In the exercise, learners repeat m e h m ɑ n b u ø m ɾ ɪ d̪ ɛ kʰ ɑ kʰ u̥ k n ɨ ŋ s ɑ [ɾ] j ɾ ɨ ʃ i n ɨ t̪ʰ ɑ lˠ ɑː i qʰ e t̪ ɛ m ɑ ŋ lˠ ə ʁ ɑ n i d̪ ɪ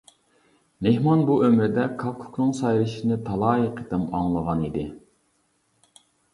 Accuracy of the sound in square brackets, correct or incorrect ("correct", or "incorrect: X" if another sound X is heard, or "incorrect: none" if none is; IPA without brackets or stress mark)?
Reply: incorrect: none